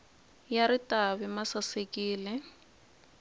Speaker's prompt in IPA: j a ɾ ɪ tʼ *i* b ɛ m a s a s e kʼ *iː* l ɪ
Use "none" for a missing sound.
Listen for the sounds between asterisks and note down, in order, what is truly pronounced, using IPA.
a, iː

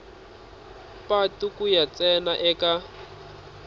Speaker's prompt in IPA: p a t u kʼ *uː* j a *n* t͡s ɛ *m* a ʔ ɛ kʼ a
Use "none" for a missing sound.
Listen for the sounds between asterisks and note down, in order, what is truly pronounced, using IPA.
u, none, n

